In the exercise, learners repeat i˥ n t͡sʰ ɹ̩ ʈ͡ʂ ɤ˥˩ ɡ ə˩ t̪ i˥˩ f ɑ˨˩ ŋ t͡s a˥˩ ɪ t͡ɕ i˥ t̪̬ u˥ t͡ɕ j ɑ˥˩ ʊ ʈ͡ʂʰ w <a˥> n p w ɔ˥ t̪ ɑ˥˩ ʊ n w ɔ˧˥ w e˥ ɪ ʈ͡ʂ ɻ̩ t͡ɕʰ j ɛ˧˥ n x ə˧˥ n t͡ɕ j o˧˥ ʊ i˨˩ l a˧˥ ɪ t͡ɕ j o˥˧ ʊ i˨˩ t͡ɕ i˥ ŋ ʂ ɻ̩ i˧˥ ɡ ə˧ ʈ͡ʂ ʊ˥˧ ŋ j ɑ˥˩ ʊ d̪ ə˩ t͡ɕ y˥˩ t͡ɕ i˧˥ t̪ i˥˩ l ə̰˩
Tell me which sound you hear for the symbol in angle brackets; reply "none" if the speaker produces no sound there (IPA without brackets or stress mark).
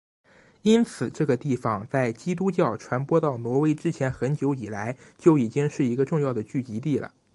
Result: a˧˥